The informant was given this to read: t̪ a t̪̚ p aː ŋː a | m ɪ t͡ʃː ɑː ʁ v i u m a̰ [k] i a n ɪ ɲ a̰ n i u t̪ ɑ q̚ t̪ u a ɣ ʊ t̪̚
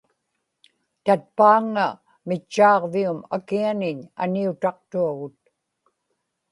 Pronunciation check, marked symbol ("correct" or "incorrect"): correct